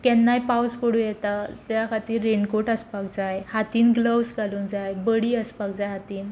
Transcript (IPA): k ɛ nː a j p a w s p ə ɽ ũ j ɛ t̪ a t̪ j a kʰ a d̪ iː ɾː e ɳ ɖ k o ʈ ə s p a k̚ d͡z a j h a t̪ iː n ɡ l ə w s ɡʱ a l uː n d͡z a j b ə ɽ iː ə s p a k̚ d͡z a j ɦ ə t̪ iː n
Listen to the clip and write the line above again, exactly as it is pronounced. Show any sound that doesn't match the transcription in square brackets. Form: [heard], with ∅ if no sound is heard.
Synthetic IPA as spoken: k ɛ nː a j p a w s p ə ɽ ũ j ɛ t̪ a t̪ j a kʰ a [t̪] iː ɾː e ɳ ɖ k o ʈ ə s p a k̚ d͡z a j h a t̪ iː n ɡ l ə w s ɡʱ a l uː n d͡z a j b ə ɽ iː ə s p a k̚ d͡z a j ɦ [a] t̪ iː n